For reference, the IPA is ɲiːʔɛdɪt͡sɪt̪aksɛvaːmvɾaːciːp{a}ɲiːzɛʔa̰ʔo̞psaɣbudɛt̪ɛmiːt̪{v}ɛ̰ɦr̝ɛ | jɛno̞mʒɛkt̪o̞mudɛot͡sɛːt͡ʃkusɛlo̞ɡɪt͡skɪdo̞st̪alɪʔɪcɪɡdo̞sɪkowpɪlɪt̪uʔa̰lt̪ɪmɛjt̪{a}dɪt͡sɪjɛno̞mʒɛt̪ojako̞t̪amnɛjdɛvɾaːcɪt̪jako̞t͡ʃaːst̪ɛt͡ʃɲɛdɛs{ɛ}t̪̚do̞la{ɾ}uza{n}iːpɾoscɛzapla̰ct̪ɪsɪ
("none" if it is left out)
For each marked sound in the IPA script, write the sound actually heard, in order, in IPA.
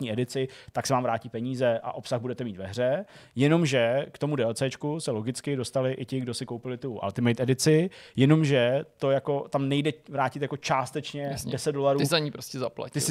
ɛ, v, ɛ, ɛ, ɾ, ɲ

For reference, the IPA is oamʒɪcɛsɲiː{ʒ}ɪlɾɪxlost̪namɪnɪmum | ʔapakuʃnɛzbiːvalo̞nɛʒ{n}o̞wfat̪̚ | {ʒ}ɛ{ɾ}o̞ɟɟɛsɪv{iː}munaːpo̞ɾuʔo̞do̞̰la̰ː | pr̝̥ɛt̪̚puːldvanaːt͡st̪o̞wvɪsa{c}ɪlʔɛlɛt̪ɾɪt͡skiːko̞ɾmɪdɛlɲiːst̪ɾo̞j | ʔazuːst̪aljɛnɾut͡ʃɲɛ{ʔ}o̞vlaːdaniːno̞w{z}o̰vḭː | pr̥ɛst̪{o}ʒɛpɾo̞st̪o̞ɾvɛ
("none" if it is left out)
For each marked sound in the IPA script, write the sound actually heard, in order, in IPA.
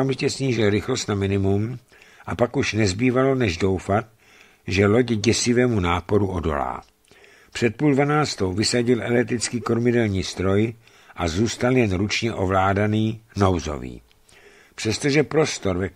ʒ, d, ʒ, l, ɛː, ɟ, ʔ, z, o

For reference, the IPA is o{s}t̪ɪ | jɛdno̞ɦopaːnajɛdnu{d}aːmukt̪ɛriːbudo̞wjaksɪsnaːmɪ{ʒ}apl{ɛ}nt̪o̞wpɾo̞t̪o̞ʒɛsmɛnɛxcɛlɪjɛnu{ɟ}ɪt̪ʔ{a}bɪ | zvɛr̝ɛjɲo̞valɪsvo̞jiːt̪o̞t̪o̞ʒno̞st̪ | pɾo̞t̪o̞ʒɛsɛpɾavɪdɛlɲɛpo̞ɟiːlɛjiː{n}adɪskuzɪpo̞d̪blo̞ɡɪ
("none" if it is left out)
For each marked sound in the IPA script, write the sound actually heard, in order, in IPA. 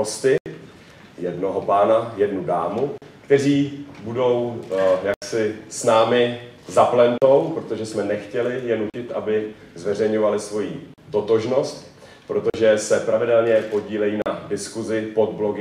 s, d, z, ɛ, c, a, n

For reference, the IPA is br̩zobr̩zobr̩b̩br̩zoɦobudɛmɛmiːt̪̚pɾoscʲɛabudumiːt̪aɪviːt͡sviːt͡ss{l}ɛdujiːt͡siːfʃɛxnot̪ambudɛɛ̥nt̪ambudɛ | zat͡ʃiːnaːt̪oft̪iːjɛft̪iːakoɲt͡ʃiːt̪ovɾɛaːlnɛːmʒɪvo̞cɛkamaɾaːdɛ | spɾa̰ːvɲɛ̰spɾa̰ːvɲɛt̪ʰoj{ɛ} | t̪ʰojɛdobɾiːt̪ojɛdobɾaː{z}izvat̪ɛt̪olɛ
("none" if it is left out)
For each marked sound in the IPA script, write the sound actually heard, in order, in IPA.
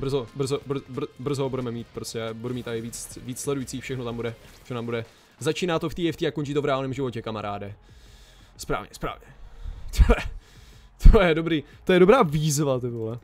l, ɛ, v

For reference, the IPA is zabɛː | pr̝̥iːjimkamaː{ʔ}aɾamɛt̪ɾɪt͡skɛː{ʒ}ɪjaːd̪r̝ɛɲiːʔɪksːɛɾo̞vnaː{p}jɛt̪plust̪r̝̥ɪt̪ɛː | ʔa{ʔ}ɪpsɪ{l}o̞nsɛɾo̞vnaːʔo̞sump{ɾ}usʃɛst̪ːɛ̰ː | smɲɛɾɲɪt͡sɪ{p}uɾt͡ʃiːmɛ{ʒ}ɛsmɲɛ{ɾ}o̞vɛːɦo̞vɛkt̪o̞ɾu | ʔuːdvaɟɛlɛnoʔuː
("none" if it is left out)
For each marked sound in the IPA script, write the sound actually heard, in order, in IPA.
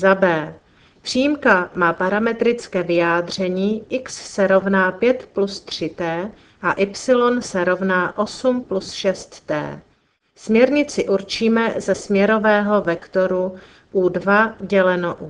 p, v, p, ʔ, l, l, ʔ, z, ɾ

